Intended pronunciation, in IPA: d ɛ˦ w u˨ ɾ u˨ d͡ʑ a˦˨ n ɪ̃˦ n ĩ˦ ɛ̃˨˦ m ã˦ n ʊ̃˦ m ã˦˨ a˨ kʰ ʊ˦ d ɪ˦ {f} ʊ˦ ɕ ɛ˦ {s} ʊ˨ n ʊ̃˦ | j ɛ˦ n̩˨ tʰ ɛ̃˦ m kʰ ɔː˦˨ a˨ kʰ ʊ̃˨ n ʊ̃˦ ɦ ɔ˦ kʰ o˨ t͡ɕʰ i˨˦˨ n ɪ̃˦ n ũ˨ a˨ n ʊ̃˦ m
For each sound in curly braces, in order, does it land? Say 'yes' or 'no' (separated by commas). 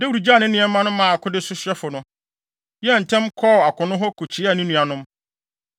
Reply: no, no